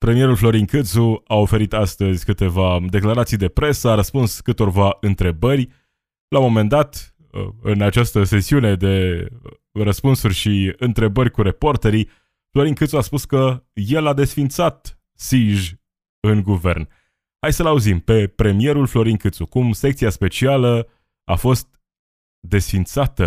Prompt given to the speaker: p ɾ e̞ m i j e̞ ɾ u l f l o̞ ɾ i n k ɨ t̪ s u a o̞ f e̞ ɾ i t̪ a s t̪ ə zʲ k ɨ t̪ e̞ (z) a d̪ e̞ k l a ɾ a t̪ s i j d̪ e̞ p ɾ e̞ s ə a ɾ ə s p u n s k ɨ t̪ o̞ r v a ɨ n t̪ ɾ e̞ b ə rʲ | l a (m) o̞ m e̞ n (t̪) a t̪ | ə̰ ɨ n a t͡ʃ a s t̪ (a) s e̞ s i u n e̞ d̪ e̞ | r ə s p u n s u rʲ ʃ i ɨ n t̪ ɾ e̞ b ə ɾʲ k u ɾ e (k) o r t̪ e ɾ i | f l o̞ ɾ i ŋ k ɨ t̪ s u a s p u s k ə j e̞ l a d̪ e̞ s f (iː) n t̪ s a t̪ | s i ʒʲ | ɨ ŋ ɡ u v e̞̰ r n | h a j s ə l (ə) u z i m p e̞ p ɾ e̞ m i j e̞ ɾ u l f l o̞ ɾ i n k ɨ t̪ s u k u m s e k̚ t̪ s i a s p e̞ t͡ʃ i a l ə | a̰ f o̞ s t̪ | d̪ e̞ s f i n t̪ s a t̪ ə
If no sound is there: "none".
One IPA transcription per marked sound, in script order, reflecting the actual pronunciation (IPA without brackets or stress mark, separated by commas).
v, m, d̪, ə, p, i, a